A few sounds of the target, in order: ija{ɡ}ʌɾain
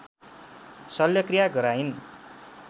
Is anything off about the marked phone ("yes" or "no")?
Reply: no